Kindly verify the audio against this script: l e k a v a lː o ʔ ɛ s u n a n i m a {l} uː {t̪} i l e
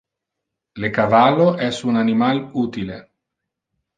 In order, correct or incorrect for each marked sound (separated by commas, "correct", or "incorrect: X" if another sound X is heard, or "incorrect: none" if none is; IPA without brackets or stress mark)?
correct, correct